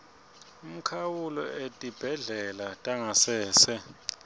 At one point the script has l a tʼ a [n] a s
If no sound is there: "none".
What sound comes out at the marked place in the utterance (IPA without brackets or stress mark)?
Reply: ŋ